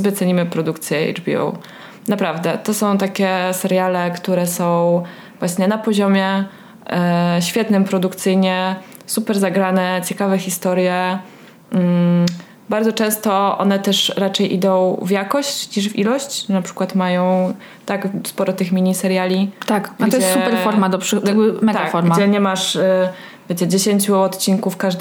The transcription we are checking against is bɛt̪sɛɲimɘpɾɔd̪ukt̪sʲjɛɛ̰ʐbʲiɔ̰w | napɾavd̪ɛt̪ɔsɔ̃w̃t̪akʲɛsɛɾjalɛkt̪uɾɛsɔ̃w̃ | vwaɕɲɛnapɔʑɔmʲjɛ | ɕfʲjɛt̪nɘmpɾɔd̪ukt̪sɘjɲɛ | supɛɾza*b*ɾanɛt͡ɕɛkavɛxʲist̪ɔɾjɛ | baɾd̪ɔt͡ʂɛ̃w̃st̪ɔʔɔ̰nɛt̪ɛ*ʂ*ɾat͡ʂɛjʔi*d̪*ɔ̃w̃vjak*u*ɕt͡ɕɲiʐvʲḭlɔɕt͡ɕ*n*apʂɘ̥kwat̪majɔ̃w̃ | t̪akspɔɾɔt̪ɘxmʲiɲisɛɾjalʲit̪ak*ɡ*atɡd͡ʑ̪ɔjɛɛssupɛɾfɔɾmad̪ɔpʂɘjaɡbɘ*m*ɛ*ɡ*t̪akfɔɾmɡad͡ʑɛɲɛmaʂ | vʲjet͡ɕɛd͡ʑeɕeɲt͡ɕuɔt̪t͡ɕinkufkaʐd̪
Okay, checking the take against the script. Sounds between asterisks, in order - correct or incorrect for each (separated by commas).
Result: incorrect, correct, correct, incorrect, correct, correct, correct, correct